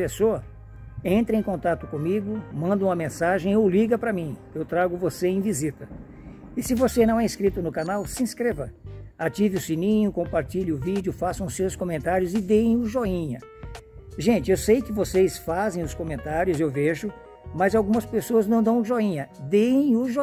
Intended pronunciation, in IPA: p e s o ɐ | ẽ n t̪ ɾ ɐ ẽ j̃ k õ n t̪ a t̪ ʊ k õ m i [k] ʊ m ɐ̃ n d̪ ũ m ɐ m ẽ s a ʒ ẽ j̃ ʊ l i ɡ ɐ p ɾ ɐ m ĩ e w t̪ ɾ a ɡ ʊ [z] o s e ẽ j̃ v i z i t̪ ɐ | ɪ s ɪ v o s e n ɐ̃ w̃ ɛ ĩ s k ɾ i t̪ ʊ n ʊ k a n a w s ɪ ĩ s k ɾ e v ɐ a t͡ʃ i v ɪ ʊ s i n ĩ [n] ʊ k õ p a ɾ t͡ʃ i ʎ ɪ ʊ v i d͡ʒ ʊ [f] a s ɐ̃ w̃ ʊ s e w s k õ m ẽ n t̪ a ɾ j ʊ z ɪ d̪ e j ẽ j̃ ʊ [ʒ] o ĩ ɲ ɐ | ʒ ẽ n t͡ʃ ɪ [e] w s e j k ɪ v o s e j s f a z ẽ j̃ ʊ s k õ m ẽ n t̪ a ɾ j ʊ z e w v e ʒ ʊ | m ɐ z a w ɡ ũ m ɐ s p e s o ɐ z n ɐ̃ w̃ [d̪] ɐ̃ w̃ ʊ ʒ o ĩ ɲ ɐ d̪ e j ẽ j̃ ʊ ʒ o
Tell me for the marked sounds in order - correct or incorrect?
incorrect, incorrect, incorrect, correct, correct, correct, correct

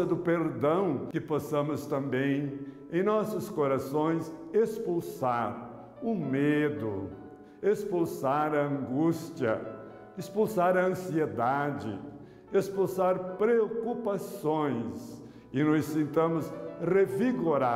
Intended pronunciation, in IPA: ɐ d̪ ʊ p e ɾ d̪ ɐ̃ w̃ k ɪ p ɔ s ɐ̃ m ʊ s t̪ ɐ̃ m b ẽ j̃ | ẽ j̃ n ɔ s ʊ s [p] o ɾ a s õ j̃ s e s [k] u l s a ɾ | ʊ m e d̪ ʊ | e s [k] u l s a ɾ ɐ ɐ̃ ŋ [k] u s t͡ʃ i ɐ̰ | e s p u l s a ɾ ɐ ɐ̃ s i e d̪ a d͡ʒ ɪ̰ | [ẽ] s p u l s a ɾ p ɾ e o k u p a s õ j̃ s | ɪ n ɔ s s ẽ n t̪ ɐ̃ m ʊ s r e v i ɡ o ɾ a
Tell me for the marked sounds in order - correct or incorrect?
incorrect, incorrect, incorrect, incorrect, incorrect

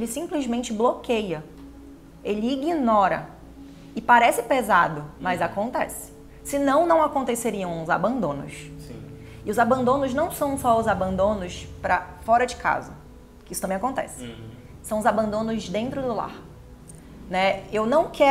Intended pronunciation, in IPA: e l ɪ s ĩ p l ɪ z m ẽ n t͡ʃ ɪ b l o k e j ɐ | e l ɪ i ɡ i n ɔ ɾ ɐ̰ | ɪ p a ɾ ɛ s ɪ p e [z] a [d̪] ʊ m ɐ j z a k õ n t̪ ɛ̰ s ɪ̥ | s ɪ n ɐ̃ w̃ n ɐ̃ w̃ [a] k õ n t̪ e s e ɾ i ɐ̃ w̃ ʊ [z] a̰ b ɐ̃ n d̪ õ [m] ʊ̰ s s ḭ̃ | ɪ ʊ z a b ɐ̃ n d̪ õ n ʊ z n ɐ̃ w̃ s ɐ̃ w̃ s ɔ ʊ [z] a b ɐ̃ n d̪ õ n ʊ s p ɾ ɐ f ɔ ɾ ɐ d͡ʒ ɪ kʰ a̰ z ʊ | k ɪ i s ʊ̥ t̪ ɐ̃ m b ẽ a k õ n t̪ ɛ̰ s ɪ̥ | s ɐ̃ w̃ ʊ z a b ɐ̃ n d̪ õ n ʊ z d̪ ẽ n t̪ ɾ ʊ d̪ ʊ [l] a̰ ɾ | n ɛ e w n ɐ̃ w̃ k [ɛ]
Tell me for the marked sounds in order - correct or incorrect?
correct, correct, correct, correct, incorrect, correct, correct, correct

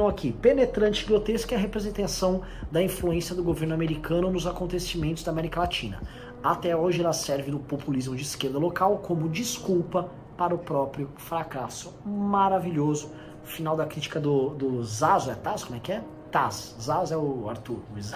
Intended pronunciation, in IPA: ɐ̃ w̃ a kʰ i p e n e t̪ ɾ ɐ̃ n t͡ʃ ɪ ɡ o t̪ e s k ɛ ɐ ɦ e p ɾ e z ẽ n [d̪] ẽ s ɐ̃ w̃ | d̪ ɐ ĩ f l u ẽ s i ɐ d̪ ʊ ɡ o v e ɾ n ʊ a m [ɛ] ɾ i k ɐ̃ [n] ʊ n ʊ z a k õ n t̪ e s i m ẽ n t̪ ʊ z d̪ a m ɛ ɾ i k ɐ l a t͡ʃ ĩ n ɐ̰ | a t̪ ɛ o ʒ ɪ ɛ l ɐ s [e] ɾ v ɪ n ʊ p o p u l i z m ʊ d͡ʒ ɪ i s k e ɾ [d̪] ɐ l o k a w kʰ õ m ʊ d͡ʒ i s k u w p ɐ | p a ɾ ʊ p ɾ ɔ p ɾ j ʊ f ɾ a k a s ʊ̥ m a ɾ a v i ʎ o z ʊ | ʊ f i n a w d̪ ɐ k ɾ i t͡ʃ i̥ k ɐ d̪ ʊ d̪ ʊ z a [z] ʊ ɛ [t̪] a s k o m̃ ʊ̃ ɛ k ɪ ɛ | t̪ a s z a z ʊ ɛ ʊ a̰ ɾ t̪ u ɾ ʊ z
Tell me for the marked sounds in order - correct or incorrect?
incorrect, incorrect, correct, incorrect, correct, correct, correct

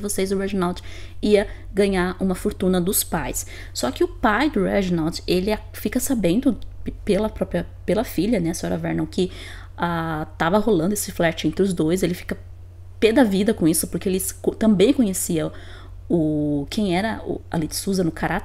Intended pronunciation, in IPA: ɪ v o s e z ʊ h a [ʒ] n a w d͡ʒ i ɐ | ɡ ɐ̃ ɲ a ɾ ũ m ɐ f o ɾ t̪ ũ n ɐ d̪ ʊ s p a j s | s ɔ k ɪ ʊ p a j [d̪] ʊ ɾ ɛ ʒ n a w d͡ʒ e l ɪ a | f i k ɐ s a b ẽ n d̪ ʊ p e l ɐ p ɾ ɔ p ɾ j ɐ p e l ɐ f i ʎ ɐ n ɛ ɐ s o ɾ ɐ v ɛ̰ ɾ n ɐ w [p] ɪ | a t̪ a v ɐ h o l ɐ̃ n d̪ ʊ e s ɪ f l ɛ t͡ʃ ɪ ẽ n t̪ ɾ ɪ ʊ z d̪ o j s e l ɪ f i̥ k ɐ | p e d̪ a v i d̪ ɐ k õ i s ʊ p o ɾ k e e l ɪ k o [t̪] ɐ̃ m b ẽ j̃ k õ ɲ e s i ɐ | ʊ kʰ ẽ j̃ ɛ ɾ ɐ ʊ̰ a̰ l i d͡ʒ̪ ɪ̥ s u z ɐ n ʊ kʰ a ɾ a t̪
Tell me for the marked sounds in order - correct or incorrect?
correct, correct, incorrect, correct

